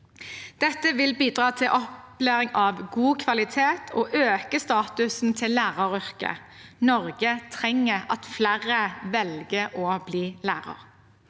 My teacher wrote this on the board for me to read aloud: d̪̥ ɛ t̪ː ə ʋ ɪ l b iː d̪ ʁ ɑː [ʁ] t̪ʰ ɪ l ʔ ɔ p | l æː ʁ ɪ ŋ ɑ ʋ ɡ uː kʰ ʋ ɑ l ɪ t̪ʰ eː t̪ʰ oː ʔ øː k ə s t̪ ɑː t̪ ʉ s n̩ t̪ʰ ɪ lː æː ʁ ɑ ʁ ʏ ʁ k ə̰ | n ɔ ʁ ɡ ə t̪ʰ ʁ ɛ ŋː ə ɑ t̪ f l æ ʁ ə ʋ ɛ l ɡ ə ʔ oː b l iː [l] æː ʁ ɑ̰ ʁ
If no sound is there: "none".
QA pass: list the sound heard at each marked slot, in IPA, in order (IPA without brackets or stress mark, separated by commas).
none, l